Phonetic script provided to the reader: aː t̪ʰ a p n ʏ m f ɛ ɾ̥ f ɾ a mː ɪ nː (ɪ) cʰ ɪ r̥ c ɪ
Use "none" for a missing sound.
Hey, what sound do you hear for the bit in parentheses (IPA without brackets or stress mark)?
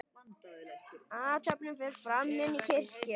i